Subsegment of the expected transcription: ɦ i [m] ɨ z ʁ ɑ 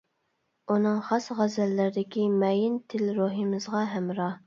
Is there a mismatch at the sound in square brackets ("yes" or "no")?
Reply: no